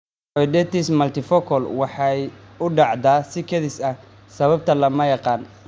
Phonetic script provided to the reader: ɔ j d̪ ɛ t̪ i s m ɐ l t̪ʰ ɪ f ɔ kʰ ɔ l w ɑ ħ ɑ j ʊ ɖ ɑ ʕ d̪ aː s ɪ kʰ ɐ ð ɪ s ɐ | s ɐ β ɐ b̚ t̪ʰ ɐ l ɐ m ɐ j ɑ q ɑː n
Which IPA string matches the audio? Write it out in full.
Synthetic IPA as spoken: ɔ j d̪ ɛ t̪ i s m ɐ l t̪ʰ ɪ f ɔ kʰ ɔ l w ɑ ħ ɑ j ʊ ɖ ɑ ʕ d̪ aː s ɪ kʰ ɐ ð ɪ s ɐ | s ɐ β ɐ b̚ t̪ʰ ɐ l ɐ m ɐ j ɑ q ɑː n